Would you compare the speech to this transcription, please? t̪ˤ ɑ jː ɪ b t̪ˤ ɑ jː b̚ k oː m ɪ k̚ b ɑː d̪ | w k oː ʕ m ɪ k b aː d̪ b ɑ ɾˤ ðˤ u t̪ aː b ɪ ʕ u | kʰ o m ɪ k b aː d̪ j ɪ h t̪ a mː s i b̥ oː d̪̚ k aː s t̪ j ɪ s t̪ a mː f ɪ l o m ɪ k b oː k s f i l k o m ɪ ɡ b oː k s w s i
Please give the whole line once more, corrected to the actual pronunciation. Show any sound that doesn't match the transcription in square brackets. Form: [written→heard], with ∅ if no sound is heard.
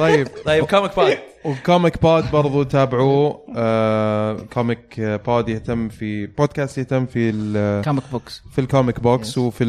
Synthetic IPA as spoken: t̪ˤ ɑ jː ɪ b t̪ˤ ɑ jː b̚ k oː m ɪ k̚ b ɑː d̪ | w k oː [ʕ→∅] m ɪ k b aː d̪ b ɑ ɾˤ ðˤ u t̪ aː b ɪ ʕ u | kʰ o m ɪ k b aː d̪ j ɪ h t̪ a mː [s→f] i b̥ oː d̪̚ k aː s t̪ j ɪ [s→h] t̪ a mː f [ɪ→i] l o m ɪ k b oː k s f i l k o m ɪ [ɡ→k] b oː k s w [s→f] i